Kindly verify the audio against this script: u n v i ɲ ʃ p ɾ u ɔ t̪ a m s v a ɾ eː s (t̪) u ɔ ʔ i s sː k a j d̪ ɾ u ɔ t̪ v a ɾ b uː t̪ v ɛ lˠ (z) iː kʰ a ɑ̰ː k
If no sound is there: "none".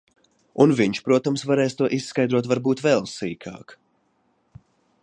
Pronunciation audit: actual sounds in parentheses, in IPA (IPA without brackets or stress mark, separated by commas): t̪, s